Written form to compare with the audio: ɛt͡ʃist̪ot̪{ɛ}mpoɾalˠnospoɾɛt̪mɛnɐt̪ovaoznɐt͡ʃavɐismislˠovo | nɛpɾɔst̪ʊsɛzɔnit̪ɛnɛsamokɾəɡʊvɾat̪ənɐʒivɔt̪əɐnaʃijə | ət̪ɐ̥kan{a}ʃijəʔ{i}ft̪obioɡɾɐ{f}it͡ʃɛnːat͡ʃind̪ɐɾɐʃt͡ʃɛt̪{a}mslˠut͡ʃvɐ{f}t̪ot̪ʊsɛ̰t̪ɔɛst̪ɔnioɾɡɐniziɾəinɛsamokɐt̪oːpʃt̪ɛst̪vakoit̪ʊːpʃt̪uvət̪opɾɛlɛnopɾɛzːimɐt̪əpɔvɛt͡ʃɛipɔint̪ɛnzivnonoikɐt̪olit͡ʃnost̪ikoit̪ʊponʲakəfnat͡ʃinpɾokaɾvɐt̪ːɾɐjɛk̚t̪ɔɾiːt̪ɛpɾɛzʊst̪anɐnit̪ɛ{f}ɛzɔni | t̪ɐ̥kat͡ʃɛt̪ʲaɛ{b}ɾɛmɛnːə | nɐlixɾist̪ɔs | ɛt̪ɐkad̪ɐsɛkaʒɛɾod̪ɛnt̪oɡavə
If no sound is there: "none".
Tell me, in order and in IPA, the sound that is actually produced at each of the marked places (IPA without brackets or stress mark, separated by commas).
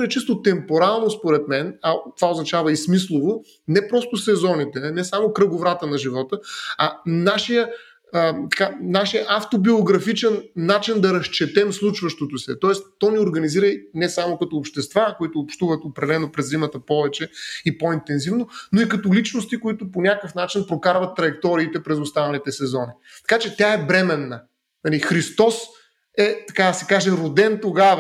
ɛ, a, a, f, ɛ, ʃ, s, b